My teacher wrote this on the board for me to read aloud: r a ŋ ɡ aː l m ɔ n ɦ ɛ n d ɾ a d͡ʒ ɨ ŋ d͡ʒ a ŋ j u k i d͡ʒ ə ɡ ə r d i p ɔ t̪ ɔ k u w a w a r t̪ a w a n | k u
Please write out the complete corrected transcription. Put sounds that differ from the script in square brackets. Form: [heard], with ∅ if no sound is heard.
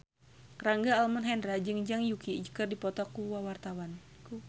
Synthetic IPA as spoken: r a ŋ ɡ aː l m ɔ n ɦ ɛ n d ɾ a d͡ʒ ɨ ŋ d͡ʒ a ŋ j u k i d͡ʒ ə [k] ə r d i p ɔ t̪ ɔ k u w a w a r t̪ a w a n | k u